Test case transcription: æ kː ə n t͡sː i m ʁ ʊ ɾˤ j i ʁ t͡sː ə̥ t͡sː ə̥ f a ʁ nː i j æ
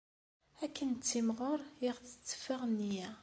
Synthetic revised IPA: æ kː ə n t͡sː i m ʁ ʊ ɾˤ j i ʁ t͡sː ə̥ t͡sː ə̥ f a ʁ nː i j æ